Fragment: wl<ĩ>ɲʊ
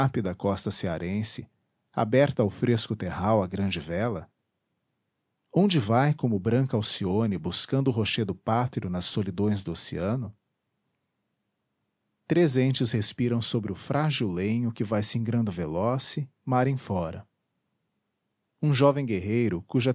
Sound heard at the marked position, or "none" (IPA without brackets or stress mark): ẽ